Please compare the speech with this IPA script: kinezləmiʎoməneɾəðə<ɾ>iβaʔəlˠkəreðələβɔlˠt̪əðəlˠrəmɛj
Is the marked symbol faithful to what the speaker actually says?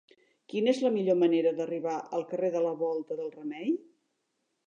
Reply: no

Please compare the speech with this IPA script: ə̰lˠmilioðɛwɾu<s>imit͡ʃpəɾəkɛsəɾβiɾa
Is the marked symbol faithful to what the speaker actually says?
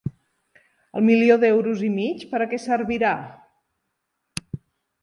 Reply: no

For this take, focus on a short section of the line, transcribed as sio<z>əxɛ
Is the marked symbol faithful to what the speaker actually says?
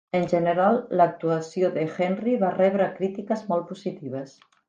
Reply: no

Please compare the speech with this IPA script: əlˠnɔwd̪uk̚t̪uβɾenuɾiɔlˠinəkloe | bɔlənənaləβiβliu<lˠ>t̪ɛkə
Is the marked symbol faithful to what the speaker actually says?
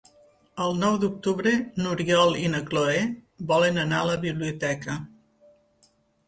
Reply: no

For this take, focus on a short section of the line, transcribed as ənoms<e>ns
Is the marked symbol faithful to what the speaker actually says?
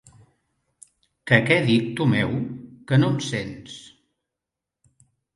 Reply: yes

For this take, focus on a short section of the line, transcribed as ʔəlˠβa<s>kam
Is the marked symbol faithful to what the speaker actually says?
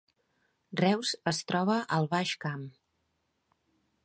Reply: no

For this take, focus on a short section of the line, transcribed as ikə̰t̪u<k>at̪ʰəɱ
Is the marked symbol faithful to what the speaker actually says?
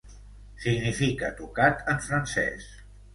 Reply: yes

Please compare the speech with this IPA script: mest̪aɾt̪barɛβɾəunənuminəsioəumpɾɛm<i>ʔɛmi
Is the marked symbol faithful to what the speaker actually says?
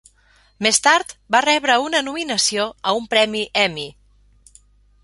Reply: yes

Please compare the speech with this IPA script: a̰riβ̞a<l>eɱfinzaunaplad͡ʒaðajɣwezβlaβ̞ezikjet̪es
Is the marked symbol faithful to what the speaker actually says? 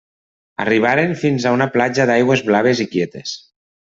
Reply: no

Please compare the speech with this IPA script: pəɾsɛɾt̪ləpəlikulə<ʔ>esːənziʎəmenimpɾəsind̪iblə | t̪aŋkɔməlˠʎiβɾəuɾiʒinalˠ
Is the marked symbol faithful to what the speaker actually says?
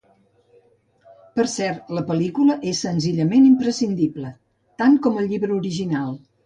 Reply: yes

